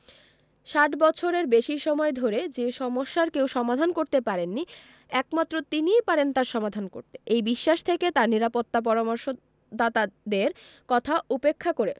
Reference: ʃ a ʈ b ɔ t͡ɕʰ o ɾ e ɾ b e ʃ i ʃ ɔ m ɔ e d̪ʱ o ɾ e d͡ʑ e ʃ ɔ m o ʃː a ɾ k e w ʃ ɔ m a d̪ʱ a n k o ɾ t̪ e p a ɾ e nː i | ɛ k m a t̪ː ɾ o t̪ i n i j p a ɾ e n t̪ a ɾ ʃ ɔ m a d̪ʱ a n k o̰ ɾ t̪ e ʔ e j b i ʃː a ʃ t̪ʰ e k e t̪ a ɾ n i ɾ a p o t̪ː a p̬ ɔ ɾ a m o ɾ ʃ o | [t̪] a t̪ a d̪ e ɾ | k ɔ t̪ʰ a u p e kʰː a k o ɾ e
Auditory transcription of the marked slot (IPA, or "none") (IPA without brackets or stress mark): d̪